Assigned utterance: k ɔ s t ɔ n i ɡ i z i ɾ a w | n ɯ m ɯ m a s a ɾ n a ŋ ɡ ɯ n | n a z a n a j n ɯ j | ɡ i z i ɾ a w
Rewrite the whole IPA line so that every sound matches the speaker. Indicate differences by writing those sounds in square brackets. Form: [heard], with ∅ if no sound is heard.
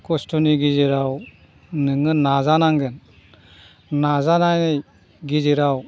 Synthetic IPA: k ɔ s t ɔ n i ɡ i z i ɾ a w | n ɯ [ŋ] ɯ [n] a [z] a [∅] n a ŋ ɡ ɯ n | n a z a n a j n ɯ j | ɡ i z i ɾ a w